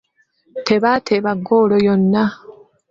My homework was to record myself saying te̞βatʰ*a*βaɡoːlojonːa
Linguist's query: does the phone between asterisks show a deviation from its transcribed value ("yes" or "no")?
yes